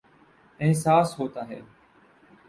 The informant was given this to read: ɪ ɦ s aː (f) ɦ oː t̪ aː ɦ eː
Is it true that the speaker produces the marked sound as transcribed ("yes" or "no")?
no